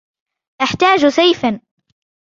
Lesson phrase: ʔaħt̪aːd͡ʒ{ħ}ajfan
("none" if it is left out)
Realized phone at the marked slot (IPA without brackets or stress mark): s